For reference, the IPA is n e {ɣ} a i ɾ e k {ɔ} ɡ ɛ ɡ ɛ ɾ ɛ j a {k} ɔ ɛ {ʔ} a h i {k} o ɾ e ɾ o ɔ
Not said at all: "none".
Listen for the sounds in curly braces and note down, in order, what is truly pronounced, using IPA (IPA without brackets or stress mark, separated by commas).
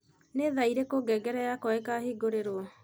ð, o, k, k, ɡ